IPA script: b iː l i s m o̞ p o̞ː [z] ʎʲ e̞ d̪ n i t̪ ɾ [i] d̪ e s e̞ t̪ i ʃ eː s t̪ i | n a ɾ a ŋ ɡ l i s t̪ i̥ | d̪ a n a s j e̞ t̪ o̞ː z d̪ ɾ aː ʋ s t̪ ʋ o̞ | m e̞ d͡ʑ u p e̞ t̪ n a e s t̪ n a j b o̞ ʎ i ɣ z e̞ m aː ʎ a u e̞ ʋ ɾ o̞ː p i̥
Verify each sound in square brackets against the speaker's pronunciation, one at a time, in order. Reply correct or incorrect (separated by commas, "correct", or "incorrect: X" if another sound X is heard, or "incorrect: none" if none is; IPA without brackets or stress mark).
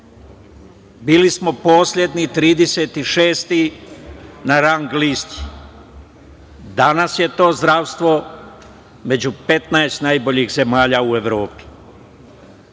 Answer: incorrect: s, incorrect: iː